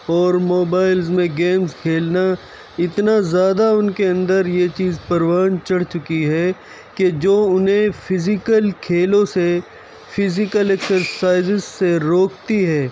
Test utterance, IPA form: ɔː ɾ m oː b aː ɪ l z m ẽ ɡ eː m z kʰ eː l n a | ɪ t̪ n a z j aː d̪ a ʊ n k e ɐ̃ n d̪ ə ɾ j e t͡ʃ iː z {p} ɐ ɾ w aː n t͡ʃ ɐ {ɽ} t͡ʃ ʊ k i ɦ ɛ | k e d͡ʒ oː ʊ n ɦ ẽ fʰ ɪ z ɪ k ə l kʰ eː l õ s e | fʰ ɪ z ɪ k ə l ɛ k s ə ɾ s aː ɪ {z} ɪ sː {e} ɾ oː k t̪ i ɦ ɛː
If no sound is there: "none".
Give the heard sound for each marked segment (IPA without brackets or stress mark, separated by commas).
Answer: p, ɽ, z, e